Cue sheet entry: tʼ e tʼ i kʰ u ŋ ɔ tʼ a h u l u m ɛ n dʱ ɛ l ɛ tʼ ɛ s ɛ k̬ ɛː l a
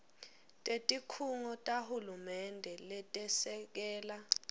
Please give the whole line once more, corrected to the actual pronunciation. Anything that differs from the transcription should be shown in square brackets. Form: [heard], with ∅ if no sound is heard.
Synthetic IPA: tʼ e tʼ i kʰ u ŋ ɔ tʼ a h u l u m ɛ n dʱ ɛ l ɛ tʼ ɛ s ɛ k̬ ɛː l a